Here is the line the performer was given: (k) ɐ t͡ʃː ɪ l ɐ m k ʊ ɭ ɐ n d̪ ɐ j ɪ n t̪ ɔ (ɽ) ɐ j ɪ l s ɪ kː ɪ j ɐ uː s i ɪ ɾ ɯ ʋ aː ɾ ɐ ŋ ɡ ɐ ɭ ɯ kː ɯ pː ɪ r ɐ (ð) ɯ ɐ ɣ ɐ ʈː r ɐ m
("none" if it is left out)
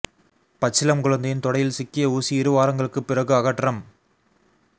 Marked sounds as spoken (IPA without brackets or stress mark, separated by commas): p, ɽ, ɣ